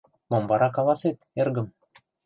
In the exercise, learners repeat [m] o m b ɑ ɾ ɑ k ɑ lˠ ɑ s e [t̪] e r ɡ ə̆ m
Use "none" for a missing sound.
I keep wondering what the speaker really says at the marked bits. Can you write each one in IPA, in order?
m, t̪

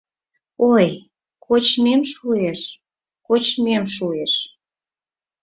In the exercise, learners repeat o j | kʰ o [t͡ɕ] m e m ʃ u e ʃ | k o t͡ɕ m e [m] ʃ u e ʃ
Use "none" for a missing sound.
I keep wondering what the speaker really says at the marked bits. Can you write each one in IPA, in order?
t͡ɕ, m

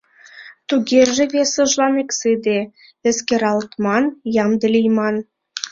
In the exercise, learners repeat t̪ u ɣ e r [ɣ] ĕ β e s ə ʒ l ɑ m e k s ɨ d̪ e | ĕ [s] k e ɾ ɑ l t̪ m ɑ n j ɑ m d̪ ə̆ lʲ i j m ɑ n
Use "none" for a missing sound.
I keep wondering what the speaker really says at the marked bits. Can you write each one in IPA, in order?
ʒ, s

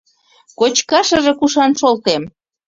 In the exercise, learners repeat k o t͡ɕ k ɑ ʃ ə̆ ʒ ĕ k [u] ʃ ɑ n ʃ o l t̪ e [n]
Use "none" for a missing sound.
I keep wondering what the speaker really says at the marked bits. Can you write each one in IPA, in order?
u, m

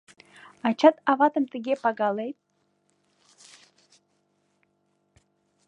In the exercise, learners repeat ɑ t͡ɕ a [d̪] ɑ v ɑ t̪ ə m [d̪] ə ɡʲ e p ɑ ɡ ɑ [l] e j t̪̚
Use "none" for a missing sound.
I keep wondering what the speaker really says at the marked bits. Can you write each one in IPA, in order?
t̪, t̪, l

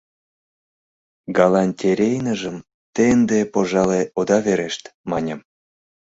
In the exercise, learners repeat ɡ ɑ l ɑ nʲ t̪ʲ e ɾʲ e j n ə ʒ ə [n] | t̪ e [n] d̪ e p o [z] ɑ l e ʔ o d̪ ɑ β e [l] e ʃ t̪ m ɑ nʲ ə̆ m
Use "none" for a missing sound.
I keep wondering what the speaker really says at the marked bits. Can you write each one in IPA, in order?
m, n, ʒ, ɾ

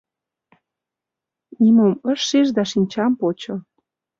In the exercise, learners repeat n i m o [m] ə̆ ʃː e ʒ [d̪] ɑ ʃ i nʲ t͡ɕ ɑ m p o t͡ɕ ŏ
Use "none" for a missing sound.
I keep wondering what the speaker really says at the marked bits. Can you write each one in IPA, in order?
m, d̪

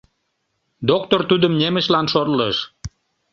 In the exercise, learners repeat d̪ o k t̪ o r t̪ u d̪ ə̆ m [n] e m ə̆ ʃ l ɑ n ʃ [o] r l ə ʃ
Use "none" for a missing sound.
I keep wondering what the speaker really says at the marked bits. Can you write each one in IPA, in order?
n, o

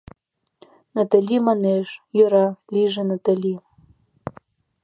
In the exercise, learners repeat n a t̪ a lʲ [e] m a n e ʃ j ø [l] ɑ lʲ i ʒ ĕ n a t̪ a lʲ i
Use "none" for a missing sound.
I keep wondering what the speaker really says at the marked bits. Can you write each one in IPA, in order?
i, ɾ

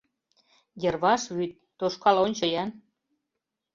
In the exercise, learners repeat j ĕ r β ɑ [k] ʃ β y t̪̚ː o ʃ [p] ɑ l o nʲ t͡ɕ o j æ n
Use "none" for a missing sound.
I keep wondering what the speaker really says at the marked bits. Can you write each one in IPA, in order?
none, k

